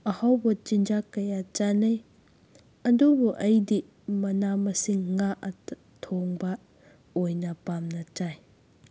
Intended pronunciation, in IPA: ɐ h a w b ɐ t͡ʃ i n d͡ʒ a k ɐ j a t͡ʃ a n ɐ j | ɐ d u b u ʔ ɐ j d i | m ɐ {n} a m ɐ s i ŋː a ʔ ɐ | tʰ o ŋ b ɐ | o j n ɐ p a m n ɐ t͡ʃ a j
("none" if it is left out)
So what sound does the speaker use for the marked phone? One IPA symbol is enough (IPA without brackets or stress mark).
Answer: n